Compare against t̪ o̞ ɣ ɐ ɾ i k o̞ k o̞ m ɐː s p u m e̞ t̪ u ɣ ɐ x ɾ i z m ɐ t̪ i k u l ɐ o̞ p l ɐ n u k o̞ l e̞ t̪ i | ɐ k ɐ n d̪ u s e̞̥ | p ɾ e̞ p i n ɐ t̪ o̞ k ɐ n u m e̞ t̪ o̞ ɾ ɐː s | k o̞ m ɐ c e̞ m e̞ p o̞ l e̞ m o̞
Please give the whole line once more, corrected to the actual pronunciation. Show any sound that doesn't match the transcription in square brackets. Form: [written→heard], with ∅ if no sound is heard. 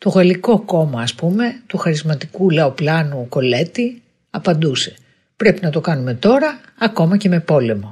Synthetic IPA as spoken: t̪ o̞ ɣ ɐ [ɾ→l] i k o̞ k o̞ m ɐː s p u m e̞ t̪ u [ɣ→x] ɐ [x→∅] ɾ i z m ɐ t̪ i k u l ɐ o̞ p l ɐ n u k o̞ l e̞ t̪ i | ɐ [k→p] ɐ n d̪ u s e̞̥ | p ɾ e̞ p i n ɐ t̪ o̞ k ɐ n u m e̞ t̪ o̞ ɾ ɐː [s→∅] | k o̞ m ɐ c e̞ m e̞ p o̞ l e̞ m o̞